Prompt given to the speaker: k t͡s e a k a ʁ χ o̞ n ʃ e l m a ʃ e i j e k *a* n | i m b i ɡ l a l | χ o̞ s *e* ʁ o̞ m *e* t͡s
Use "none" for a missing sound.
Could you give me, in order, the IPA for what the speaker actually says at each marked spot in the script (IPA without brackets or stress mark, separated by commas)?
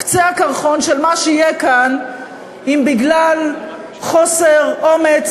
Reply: a, e, e